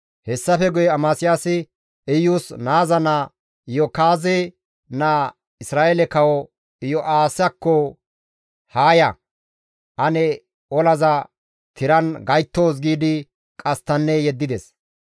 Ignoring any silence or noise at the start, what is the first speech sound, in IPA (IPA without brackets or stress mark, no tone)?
h